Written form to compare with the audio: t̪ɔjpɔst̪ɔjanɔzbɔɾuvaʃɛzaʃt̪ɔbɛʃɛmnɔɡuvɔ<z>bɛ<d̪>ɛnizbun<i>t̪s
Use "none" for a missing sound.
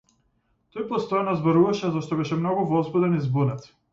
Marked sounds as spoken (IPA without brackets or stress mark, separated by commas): z, d̪, ɛ